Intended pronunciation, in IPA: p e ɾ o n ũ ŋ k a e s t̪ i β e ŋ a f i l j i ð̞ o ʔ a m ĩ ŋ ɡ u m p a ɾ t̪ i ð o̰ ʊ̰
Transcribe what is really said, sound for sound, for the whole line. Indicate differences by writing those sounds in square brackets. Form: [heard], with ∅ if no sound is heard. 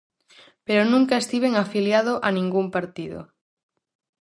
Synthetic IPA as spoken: p e ɾ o n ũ ŋ k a e s t̪ i β e ŋ a f i l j [a] ð̞ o ʔ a [n] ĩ ŋ ɡ u m p a ɾ t̪ i ð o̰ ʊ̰